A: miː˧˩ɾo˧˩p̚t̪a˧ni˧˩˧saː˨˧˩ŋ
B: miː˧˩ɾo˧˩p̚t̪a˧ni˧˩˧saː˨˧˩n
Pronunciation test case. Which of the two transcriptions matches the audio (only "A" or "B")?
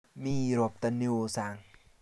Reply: A